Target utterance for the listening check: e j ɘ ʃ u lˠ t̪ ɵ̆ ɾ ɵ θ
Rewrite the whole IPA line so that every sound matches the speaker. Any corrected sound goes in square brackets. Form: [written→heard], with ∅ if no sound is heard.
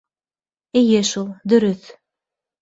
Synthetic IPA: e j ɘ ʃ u lˠ [t̪→d̪] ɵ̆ ɾ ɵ θ

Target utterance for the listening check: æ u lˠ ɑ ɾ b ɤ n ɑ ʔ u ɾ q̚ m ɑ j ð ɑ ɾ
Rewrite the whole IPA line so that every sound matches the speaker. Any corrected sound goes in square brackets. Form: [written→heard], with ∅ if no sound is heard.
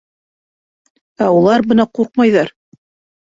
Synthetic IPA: æ u lˠ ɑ ɾ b ɤ n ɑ [ʔ→q] u ɾ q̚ m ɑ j ð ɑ ɾ

